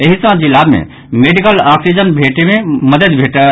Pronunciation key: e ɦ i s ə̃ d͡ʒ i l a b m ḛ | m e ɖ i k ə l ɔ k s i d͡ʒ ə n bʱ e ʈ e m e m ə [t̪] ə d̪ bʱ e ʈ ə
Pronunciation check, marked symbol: incorrect: d̪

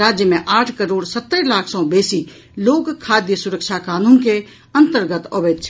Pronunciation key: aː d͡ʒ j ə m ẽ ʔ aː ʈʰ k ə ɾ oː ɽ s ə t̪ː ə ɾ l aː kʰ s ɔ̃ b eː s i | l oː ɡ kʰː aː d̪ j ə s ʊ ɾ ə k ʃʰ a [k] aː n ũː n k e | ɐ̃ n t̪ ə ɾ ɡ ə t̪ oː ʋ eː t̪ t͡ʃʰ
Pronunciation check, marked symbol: correct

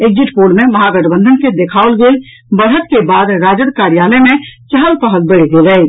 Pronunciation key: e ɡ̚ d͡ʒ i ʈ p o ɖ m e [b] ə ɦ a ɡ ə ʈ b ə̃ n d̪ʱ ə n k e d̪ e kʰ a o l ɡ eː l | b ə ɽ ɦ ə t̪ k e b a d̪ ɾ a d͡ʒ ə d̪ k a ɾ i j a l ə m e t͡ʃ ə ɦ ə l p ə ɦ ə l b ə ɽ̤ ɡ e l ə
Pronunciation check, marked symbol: incorrect: m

